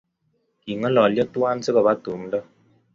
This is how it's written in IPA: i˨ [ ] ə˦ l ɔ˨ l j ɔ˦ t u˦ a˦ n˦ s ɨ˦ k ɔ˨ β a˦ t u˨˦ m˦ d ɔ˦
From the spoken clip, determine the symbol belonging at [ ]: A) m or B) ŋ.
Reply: B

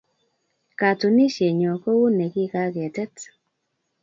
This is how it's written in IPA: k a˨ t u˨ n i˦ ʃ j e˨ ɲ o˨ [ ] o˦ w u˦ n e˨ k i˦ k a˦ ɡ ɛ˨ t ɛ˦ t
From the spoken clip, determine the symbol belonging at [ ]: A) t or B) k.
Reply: B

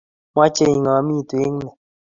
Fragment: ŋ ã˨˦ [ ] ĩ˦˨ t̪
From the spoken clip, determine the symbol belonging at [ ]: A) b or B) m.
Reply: B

